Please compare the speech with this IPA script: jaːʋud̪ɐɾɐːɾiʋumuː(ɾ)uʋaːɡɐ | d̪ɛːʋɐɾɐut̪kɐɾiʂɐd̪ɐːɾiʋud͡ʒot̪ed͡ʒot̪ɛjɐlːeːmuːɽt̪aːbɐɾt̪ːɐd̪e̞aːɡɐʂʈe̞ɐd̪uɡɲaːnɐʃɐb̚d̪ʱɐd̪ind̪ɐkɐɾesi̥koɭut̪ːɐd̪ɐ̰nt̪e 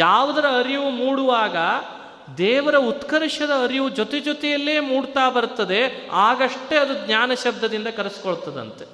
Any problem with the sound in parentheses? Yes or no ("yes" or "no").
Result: yes